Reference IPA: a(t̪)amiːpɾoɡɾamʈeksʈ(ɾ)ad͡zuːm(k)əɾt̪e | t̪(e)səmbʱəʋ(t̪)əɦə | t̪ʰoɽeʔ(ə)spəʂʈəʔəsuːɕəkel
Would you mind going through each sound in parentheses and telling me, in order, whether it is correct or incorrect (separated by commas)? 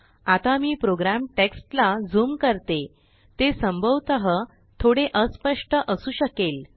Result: correct, incorrect, correct, correct, correct, correct